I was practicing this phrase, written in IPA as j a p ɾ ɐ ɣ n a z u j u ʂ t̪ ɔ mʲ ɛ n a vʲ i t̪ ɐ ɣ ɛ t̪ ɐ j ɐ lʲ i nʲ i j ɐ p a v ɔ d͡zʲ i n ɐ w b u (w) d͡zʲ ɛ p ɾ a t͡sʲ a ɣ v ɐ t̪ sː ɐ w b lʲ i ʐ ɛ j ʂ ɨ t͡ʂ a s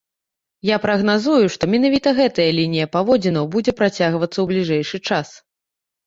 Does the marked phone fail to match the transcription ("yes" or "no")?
yes